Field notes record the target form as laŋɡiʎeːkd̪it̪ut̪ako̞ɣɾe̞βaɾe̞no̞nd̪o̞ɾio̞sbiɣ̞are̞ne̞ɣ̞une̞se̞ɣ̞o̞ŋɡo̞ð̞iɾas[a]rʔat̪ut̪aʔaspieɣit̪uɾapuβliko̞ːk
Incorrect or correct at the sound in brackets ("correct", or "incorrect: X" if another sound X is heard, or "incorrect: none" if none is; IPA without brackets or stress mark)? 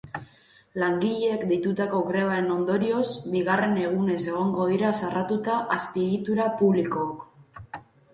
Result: correct